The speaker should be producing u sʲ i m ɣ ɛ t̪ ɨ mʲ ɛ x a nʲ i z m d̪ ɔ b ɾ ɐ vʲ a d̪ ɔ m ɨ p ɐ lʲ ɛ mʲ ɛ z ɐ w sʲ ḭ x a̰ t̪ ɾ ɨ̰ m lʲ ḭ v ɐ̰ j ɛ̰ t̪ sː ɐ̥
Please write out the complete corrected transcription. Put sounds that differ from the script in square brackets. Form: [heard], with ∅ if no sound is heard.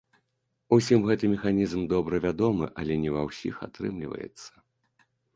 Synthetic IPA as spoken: u sʲ i m ɣ ɛ t̪ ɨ mʲ ɛ x a nʲ i z m d̪ ɔ b ɾ ɐ vʲ a d̪ ɔ m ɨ [ʔ] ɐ lʲ ɛ [nʲ] ɛ [v] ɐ w sʲ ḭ x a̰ t̪ ɾ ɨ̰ m lʲ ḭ v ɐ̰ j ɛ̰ t̪ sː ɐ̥